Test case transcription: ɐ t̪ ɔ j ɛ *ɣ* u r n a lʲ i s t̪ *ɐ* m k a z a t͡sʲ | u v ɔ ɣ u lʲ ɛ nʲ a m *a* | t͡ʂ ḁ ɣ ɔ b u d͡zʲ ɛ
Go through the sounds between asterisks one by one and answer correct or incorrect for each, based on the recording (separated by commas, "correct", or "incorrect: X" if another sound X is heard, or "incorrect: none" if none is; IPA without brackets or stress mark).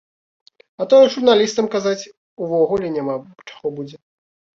incorrect: ʐ, correct, correct